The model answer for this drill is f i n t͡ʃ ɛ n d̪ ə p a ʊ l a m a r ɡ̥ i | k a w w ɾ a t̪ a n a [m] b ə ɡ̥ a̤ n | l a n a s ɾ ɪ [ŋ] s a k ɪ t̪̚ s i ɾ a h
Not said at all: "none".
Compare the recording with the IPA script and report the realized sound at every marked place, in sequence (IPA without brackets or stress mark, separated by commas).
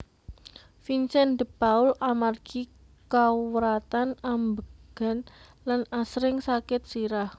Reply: m, ŋ